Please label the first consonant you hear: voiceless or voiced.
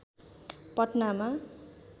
voiceless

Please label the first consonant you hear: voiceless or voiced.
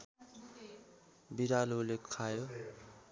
voiced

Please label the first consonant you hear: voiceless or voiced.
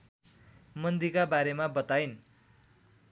voiced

